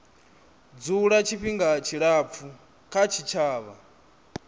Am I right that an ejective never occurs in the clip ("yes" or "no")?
yes